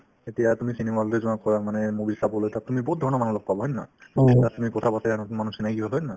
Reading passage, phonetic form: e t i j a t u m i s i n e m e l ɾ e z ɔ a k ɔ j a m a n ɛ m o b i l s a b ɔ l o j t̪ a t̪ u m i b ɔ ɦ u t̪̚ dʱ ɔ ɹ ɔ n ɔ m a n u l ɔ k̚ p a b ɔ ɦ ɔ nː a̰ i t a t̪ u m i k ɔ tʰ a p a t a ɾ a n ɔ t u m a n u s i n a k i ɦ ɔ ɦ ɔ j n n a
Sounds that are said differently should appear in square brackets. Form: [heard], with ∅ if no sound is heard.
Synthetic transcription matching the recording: e t i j a t u m i s i n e m [a] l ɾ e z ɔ a k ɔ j a m a n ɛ m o b i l s a b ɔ l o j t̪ a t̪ u m i b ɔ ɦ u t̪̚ dʱ ɔ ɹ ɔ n ɔ m a n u l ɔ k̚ p a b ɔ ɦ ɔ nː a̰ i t a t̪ u m i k ɔ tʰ a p a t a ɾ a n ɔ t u m a n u s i n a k i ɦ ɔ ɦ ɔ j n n a